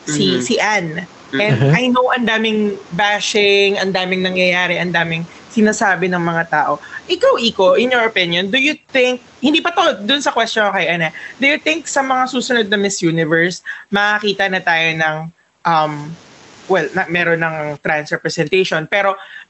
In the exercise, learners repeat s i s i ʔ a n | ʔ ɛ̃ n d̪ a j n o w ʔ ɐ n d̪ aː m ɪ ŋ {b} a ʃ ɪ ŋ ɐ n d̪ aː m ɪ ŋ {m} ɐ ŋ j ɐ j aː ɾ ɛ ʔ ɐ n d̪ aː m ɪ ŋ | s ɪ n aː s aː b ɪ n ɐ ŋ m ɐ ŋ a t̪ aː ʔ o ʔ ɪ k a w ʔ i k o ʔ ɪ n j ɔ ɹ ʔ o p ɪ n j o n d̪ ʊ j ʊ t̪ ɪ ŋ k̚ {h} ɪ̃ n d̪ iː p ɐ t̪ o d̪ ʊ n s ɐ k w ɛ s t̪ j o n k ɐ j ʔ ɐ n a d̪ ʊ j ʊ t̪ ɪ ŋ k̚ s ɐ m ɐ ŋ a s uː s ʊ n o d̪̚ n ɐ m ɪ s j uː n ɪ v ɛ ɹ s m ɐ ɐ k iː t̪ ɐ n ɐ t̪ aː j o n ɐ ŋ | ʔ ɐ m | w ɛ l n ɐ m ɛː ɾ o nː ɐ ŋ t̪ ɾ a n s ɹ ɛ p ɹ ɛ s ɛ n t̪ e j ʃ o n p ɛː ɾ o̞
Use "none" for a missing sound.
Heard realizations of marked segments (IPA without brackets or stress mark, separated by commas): b, n, h